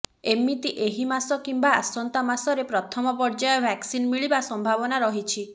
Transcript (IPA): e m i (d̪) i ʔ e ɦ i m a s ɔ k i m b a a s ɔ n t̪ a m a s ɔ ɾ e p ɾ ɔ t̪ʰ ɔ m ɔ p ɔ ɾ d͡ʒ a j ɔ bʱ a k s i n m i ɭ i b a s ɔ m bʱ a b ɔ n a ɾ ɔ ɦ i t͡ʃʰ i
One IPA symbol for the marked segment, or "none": t̪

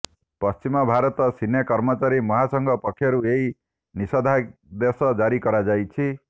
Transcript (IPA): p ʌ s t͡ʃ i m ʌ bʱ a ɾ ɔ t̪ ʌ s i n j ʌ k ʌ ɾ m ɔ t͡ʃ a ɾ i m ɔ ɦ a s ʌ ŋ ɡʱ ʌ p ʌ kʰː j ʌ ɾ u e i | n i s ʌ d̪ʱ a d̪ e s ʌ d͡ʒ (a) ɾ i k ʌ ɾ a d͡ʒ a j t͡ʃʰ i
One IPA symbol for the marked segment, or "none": a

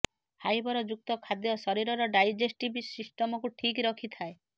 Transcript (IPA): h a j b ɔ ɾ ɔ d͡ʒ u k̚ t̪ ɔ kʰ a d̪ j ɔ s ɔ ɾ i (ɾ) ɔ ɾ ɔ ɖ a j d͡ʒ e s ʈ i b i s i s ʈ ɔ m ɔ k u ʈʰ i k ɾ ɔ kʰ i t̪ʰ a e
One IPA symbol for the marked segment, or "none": ɾ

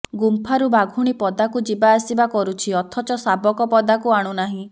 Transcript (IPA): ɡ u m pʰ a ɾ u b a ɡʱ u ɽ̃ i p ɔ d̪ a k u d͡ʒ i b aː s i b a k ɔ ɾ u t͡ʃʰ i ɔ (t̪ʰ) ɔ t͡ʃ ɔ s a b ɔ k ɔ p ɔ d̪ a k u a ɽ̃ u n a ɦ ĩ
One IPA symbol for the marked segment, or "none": t̪ʰ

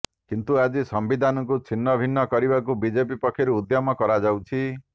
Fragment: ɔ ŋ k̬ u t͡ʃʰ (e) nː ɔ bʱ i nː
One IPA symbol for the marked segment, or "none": i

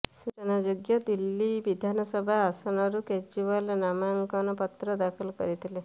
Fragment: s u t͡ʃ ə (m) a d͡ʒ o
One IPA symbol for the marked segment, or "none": n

